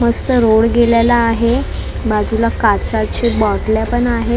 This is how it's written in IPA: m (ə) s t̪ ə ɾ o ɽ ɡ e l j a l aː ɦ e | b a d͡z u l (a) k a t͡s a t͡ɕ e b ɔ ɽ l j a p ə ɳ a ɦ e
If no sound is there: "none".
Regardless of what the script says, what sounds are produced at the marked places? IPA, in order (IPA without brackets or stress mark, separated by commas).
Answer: ə, a